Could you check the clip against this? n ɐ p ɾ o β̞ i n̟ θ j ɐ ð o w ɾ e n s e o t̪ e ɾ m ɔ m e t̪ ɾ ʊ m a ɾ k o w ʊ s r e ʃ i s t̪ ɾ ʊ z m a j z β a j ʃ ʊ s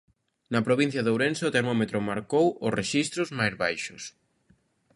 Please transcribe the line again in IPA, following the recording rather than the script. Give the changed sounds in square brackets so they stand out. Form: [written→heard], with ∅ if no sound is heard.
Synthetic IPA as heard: n ɐ p ɾ o β̞ i n̟ θ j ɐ ð o w ɾ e n s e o t̪ e ɾ m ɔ m e t̪ ɾ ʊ m a ɾ k o w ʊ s r e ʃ i s t̪ ɾ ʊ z m a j z β a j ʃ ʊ s